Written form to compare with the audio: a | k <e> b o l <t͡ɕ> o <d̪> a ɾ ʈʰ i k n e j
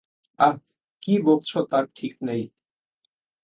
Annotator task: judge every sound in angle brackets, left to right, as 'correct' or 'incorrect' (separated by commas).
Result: incorrect, incorrect, incorrect